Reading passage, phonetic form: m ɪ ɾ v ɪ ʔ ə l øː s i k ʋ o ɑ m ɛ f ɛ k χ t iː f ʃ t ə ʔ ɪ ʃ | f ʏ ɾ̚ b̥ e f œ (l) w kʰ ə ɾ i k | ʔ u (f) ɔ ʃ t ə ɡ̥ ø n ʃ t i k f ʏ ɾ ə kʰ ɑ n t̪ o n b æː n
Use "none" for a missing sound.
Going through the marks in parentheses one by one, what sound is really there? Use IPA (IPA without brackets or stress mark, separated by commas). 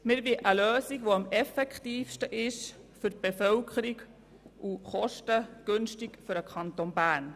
none, χ